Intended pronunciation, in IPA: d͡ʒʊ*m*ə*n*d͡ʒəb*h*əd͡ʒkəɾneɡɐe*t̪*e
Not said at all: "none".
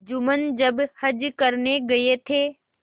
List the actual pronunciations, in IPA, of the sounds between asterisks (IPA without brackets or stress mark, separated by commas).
m, n, h, t̪ʰ